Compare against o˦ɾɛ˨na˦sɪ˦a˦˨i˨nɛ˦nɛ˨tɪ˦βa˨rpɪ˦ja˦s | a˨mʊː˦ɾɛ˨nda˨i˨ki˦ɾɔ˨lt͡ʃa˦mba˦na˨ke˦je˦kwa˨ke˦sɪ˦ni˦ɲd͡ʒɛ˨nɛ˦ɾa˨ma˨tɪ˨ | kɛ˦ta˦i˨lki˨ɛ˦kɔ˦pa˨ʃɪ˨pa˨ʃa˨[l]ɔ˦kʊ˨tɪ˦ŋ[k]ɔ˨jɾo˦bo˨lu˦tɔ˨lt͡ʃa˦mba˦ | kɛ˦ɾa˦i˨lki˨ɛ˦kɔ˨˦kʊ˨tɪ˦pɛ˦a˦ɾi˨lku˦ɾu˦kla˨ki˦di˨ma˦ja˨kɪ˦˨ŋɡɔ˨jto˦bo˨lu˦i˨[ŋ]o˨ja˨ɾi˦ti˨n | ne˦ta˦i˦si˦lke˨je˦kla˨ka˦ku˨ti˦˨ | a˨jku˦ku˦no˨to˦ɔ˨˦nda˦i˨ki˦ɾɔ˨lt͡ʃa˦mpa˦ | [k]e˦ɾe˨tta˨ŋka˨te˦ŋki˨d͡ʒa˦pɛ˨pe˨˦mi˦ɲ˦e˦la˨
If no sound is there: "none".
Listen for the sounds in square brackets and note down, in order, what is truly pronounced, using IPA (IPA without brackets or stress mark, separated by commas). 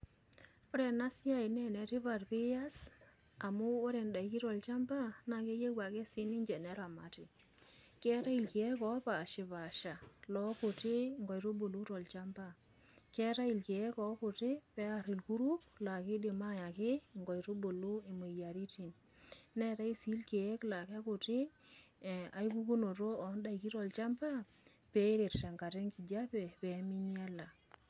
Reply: l, ɡ, m, p